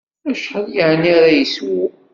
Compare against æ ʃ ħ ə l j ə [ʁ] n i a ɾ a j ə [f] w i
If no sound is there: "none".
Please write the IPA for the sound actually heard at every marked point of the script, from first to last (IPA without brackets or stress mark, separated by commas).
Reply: ʕ, s